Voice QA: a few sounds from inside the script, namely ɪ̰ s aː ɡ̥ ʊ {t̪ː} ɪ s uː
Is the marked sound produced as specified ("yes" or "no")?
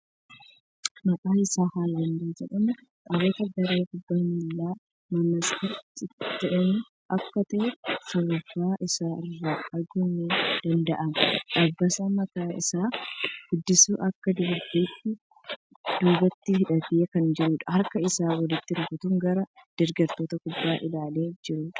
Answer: no